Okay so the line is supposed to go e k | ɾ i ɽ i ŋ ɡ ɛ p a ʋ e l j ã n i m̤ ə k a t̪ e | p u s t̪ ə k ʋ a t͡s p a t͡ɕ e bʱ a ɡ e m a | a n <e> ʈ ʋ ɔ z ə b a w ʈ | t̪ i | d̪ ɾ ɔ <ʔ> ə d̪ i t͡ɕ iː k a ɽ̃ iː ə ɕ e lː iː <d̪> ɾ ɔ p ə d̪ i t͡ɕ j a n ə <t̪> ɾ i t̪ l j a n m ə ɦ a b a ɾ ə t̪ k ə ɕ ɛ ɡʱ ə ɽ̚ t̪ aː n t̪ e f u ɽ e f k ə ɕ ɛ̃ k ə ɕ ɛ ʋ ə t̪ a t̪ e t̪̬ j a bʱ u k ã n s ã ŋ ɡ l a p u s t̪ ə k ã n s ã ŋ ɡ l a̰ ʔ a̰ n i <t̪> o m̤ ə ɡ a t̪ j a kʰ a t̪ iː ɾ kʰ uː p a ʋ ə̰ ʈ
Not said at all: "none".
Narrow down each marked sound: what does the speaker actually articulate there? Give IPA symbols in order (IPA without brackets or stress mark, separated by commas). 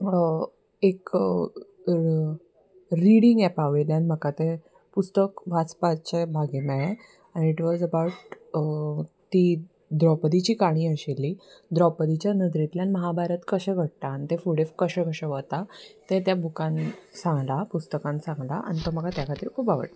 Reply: i, p, d̪, d̪, t̪